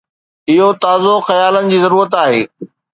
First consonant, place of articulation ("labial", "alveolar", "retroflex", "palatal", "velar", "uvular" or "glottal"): glottal